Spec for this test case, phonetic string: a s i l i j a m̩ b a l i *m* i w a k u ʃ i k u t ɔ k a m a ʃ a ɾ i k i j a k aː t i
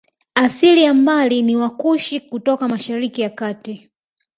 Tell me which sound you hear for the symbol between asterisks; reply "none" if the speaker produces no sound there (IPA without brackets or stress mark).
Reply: n